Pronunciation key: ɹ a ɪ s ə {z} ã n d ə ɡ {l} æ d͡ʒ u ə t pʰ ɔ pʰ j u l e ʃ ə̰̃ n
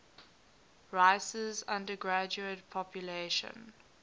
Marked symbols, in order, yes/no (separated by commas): yes, no